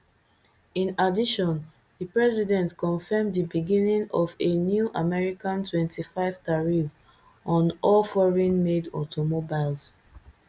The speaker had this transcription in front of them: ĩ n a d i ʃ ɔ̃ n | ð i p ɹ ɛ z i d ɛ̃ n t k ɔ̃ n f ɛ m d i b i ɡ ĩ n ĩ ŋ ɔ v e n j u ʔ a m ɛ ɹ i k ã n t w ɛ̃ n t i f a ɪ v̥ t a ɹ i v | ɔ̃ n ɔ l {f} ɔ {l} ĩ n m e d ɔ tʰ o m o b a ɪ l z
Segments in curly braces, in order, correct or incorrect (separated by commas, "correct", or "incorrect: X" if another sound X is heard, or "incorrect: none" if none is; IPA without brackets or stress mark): correct, incorrect: ɹ